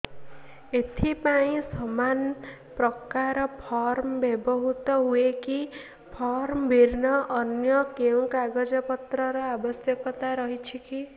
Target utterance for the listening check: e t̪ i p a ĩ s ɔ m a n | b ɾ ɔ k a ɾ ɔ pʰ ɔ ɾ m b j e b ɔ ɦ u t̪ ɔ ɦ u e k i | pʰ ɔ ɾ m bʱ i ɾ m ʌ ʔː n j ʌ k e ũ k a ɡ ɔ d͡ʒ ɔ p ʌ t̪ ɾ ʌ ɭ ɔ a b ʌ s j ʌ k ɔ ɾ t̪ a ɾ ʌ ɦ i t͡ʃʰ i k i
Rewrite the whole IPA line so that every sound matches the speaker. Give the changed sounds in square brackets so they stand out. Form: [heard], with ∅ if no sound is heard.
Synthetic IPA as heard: e [t̪ʰ] i p a ĩ s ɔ m a n | [p] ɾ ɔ k a ɾ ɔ pʰ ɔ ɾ m b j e b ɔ ɦ u t̪ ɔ ɦ u e k i | pʰ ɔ ɾ m bʱ i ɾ [n] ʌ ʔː n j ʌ k e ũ k a ɡ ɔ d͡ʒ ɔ p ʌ t̪ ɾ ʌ [ɾ] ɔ a b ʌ s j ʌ k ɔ [∅] t̪ a ɾ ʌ ɦ i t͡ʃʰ i k i